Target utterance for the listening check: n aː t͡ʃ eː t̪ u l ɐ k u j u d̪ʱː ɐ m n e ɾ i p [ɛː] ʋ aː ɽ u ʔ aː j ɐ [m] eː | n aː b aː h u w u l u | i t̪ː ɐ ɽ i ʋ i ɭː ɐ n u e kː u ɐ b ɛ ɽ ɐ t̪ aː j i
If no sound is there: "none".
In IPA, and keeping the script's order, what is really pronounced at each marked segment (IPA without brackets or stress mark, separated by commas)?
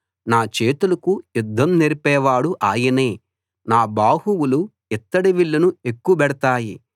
ɛː, n